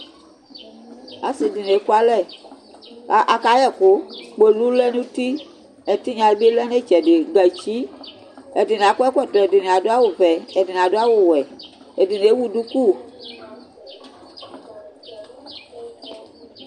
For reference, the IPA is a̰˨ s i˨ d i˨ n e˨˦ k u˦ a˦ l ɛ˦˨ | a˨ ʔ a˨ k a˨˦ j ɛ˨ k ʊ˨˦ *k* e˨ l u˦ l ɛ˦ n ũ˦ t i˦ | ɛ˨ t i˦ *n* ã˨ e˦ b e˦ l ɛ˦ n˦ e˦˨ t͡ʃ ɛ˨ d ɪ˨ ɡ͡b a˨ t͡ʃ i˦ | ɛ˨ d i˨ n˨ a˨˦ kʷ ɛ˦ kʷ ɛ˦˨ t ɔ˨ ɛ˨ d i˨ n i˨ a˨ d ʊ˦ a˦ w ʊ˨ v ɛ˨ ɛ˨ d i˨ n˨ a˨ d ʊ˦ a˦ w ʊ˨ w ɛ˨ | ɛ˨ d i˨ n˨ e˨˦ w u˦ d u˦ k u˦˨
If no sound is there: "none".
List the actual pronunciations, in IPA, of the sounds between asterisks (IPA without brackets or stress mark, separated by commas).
k͡p, ɲ